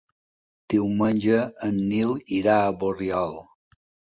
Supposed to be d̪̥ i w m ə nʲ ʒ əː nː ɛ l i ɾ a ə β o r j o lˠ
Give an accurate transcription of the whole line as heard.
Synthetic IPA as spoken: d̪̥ i w m ə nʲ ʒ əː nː i l i ɾ a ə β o r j ɔ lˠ